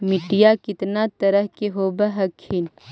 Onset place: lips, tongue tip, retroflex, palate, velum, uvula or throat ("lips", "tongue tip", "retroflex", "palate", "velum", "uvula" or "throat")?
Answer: lips